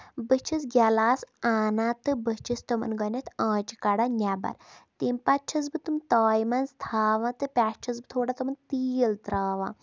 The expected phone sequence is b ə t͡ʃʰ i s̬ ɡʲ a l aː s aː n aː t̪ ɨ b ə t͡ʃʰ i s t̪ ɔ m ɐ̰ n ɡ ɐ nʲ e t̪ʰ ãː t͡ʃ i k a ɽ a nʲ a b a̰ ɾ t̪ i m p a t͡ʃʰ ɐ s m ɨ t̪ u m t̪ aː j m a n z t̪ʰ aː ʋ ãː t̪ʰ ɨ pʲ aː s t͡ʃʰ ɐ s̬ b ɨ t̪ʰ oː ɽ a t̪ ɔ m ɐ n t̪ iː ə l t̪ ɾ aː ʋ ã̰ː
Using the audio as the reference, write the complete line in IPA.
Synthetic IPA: b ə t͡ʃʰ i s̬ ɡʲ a l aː s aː n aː t̪ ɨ b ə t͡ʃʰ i s t̪ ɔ m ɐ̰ n ɡ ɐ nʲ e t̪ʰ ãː t͡ʃ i k a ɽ a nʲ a b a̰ ɾ t̪ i m p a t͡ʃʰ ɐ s b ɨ t̪ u m t̪ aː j m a n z t̪ʰ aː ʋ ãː t̪ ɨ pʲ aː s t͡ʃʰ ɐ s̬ b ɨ t̪ʰ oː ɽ a t̪ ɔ m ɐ n t̪ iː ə l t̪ ɾ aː ʋ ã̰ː